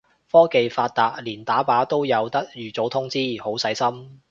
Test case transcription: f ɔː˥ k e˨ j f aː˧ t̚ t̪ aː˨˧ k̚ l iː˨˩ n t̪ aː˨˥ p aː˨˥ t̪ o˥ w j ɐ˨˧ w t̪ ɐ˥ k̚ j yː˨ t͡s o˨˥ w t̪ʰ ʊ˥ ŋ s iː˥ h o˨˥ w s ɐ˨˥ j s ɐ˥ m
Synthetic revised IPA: f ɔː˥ k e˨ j f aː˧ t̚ t̪ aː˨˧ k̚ l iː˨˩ n t̪ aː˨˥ p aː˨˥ t̪ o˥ w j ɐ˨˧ w t̪ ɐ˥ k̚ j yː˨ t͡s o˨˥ w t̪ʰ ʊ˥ ŋ t͡s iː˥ h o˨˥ w s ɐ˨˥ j s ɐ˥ m